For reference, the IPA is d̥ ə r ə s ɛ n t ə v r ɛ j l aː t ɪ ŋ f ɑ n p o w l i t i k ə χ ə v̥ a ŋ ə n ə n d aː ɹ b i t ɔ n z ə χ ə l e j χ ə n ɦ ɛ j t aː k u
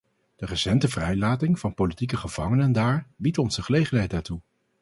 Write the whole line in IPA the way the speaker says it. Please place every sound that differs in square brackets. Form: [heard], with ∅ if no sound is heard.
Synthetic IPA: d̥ ə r ə s ɛ n t ə v r ɛ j l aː t ɪ ŋ [v] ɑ n p o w l i t i k ə χ ə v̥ [ɑ] ŋ ə n ə n d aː ɹ b i t ɔ n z ə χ ə l e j χ ə n ɦ ɛ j t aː [t] u

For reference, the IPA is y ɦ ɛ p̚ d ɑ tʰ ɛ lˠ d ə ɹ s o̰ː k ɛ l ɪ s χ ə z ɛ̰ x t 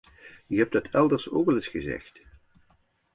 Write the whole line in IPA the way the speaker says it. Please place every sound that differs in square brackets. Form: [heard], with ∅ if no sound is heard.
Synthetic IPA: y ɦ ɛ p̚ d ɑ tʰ ɛ lˠ d ə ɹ s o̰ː k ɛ l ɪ s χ ə z ɛ̰ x t

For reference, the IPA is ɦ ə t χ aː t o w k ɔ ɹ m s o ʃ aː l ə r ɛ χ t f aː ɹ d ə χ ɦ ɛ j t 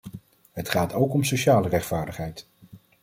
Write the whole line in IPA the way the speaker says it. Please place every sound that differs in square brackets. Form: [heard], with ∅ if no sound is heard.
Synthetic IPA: ɦ ə t χ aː t o w k ɔ [∅] m s o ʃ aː l ə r ɛ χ t f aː ɹ d ə χ ɦ ɛ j t

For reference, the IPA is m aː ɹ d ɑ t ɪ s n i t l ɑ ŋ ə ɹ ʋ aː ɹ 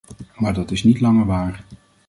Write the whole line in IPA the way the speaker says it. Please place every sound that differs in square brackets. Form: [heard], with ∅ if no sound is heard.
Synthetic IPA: m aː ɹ d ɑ t ɪ s n i t l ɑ ŋ ə ɹ ʋ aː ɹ

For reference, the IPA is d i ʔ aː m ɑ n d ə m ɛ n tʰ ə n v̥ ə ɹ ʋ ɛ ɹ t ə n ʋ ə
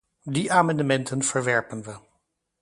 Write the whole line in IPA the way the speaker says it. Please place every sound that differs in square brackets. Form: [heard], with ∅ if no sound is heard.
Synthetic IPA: d i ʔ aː m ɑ n d ə m ɛ n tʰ ə n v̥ ə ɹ ʋ ɛ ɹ [p] ə n ʋ ə

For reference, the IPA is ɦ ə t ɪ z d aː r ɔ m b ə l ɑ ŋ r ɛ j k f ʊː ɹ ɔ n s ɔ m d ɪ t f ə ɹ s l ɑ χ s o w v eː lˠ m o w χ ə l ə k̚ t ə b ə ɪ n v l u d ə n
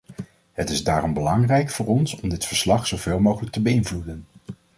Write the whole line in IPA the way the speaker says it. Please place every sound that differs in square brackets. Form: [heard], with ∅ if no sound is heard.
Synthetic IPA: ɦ ə t ɪ z d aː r ɔ m b ə l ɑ ŋ r ɛ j k f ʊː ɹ ɔ n s ɔ m d ɪ t f ə ɹ s l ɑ χ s o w v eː lˠ m o w χ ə l ə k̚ t ə b ə ɪ n v l u d ə n

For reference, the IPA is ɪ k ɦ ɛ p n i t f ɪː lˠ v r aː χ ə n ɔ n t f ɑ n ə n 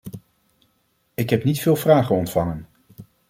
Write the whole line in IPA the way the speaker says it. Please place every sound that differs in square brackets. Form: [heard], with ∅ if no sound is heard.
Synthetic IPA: ɪ k ɦ ɛ p n i t f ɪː lˠ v r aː χ ə n ɔ n t f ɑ [ŋ] ə n

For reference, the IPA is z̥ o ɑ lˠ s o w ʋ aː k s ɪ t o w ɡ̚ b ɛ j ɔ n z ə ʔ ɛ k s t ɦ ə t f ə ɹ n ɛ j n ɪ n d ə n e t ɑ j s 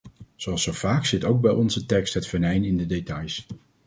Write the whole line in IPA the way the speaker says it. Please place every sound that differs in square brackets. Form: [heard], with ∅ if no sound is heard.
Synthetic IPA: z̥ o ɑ lˠ s o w [v] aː k s ɪ t o w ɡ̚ b ɛ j ɔ n z ə [t] ɛ k s t ɦ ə t f ə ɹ n ɛ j n ɪ n d ə [d] e t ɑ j s

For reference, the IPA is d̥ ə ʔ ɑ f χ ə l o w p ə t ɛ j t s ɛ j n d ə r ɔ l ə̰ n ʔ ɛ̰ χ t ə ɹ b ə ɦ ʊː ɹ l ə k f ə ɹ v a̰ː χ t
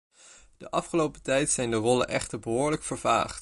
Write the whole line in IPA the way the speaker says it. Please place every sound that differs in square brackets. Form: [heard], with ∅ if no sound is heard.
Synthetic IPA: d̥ ə ʔ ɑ f χ ə l o w p ə t ɛ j t s ɛ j n d ə r ɔ l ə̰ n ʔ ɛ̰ χ t ə ɹ b ə ɦ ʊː ɹ l ə k f ə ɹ v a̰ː χ t

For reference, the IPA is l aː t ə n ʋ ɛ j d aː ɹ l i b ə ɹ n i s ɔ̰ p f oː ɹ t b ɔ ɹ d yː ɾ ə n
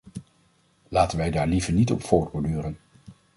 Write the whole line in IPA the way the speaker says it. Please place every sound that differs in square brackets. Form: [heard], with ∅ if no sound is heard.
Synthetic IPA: l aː t ə n ʋ ɛ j d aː ɹ l i [v] ə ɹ n i [t] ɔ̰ p f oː ɹ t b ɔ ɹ d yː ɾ ə n

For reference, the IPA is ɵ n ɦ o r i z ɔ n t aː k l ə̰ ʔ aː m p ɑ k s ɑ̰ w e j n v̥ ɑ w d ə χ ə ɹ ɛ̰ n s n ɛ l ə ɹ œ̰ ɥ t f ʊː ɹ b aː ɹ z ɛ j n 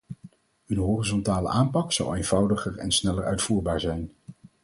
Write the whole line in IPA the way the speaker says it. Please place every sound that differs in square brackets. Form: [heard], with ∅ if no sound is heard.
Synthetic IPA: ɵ n ɦ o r i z ɔ n t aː [∅] l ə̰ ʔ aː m p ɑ k s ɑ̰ w e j n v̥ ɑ w d ə χ ə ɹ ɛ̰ n s n ɛ l ə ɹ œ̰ ɥ t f [uː] ɹ b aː ɹ z ɛ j n

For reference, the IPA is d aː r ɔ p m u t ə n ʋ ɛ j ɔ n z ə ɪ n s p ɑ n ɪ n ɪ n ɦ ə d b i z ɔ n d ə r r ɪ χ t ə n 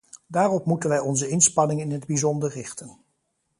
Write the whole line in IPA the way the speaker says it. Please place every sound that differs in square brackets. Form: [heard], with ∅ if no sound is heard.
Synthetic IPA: d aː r ɔ p m u t ə n ʋ ɛ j ɔ n z ə ɪ n s p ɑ n ɪ [ŋ] ɪ n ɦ ə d b i z ɔ n d ə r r ɪ χ t ə n

